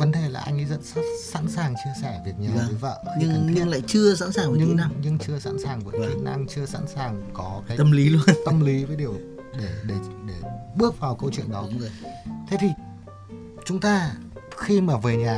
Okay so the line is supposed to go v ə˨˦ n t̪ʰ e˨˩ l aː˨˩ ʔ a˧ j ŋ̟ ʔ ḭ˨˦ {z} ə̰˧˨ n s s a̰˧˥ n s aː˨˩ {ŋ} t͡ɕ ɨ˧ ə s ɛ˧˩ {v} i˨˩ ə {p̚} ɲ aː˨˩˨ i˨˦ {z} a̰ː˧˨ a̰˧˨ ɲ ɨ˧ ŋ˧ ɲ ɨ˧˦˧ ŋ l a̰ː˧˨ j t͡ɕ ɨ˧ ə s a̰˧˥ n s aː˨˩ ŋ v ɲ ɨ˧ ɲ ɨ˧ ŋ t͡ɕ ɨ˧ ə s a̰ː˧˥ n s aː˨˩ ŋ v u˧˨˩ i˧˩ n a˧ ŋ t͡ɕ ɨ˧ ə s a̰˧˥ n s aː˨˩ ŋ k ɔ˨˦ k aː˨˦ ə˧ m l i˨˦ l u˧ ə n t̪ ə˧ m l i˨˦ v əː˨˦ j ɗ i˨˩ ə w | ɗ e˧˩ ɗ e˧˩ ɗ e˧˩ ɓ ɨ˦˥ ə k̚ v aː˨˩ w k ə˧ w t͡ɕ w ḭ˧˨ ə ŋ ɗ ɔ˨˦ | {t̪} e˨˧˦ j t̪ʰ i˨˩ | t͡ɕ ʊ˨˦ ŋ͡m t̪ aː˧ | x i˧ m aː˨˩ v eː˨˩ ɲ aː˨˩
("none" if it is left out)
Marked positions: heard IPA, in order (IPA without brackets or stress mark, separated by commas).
z, ŋ, v, t̚, v, t̪ʰ